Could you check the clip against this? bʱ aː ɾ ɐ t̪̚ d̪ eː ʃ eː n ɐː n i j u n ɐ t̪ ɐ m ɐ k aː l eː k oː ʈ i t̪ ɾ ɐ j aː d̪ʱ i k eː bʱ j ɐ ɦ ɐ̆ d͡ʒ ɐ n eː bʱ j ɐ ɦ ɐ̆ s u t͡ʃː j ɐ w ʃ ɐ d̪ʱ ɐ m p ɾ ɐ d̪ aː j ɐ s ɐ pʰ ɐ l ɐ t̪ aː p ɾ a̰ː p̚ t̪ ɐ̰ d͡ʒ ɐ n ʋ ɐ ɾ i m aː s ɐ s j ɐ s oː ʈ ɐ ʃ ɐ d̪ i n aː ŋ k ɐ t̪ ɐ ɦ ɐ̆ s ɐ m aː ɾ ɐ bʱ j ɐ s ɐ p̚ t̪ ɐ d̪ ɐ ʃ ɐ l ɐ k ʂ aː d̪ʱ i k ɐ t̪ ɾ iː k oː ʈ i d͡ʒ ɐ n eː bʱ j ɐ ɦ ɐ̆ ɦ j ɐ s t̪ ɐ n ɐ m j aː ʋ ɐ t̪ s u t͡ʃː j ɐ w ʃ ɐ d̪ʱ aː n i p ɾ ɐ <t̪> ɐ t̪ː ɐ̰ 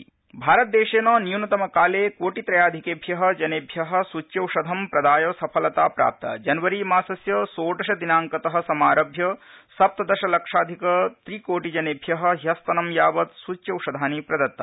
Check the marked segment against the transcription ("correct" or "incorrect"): incorrect